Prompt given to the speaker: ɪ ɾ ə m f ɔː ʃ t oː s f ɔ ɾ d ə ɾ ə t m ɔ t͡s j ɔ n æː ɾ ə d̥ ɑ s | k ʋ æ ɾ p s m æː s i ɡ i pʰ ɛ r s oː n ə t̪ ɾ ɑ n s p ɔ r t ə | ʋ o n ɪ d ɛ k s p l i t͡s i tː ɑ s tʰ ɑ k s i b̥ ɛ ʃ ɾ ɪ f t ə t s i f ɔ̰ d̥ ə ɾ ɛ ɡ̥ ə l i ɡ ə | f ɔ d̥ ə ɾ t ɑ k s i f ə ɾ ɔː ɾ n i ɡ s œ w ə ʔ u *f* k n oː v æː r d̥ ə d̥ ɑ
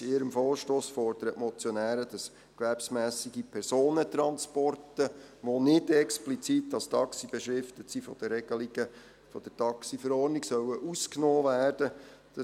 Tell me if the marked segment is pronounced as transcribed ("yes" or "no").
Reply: no